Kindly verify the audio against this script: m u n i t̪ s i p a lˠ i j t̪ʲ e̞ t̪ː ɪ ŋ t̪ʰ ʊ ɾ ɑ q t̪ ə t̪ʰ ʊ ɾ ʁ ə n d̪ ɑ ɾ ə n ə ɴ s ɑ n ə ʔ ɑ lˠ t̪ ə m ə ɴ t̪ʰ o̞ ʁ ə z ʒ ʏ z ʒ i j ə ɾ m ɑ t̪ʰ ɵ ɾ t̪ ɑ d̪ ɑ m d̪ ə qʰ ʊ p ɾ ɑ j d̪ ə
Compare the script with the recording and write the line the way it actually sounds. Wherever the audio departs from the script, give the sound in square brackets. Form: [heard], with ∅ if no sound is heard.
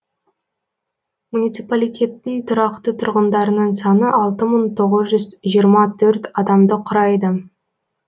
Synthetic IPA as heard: m u n i t̪ s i p a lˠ i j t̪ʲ e̞ t̪ː ɪ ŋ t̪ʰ ʊ ɾ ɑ q t̪ ə t̪ʰ ʊ ɾ ʁ ə n d̪ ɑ ɾ ə n ə ɴ s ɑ n ə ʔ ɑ lˠ t̪ ə m ə ɴ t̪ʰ o̞ ʁ ə z ʒ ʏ z ʒ i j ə ɾ m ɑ t̪ʰ ɵ ɾ t̪ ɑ d̪ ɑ m d̪ ə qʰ ʊ [∅] ɾ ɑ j d̪ ə